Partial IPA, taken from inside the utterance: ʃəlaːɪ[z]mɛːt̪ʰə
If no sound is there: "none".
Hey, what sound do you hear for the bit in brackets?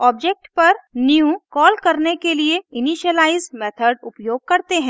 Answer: z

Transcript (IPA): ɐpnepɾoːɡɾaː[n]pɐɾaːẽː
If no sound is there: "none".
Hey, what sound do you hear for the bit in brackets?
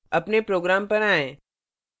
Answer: m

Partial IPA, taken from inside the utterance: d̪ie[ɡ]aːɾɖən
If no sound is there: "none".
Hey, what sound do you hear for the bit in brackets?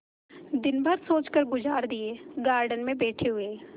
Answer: ɡ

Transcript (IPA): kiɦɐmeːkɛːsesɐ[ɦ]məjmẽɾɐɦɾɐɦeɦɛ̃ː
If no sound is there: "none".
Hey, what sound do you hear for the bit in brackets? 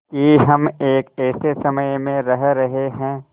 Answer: none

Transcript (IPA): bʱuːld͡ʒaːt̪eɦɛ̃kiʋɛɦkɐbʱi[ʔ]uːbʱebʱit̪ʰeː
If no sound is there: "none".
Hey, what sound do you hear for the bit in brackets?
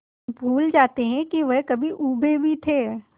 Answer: ʔ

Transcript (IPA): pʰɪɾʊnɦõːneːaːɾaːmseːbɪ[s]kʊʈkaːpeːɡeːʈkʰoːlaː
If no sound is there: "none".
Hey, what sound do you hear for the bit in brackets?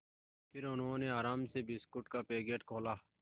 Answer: s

